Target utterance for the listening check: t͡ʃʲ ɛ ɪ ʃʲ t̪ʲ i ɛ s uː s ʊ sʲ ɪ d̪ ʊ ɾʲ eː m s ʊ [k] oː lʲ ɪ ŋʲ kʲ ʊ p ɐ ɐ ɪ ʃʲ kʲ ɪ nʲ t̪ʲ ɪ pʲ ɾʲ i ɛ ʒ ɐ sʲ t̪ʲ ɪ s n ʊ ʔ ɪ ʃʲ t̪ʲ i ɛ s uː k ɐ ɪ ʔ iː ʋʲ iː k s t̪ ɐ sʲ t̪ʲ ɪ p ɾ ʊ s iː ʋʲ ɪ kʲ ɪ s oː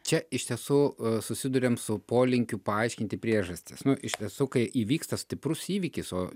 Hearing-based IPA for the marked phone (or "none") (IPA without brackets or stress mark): p